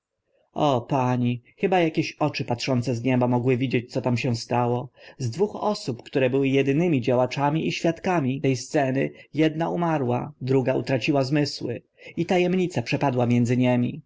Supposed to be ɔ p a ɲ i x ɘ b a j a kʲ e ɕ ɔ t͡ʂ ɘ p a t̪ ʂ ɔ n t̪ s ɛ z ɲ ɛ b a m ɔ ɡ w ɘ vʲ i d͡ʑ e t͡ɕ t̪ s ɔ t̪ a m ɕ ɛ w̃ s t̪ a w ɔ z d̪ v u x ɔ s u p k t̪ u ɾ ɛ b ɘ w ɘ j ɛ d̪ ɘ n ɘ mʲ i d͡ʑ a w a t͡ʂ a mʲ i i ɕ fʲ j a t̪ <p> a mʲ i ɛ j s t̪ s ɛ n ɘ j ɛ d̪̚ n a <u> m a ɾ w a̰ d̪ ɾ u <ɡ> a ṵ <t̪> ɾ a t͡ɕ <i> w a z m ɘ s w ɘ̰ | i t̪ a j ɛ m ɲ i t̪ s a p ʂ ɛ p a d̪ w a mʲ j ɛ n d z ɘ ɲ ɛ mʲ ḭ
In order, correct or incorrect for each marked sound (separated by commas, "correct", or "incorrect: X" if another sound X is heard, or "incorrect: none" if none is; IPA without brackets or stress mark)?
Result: incorrect: k, correct, correct, correct, correct